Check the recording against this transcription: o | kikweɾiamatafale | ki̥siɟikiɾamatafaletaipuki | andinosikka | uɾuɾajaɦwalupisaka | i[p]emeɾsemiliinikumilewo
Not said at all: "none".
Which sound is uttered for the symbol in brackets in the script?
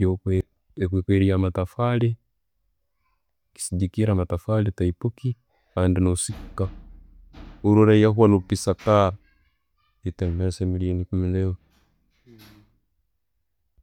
t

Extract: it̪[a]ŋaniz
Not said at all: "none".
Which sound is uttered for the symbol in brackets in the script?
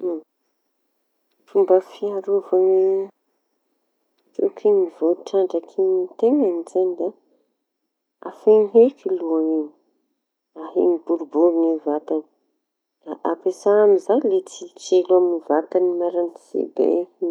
e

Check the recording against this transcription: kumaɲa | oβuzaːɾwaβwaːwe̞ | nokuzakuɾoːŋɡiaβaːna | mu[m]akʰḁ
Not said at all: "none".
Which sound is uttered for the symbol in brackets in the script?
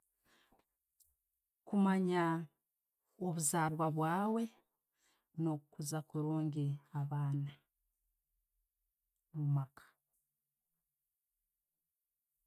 m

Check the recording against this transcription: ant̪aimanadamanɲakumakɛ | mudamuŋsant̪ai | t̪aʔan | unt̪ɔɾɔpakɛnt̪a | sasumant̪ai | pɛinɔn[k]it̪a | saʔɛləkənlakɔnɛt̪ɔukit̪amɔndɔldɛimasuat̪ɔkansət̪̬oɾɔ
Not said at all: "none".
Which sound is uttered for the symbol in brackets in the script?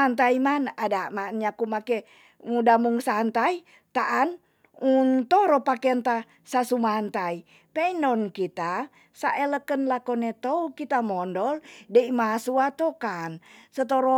k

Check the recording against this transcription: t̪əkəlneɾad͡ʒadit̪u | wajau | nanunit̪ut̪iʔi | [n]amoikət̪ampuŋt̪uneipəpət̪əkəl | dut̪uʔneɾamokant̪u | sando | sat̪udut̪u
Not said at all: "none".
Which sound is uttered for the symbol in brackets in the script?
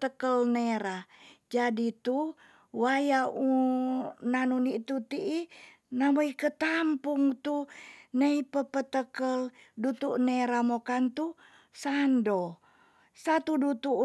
n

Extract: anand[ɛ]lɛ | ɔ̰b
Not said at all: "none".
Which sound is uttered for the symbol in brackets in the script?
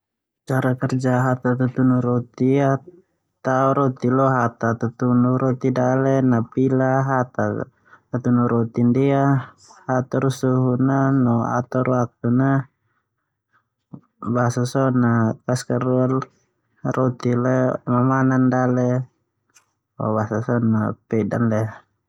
a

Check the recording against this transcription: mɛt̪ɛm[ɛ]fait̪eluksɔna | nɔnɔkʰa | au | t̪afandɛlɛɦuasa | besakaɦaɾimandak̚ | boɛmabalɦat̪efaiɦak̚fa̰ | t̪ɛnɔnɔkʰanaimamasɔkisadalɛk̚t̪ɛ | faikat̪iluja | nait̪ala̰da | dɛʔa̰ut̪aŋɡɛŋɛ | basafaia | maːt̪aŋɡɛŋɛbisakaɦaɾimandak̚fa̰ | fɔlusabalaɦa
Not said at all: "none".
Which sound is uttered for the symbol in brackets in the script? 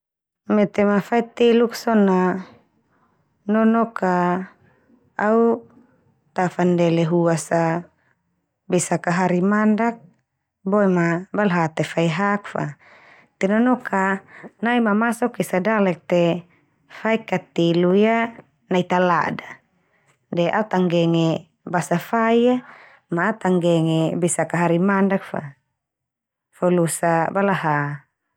a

